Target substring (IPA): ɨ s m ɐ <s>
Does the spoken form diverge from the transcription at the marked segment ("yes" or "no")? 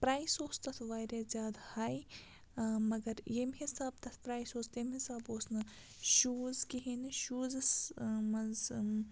yes